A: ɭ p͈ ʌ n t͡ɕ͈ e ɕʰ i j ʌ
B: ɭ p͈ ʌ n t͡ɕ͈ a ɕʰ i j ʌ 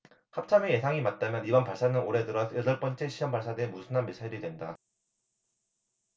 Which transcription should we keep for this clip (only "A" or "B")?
A